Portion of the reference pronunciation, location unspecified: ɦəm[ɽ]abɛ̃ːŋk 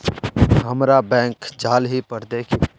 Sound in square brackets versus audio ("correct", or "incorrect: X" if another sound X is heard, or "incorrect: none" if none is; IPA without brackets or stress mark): incorrect: ɾ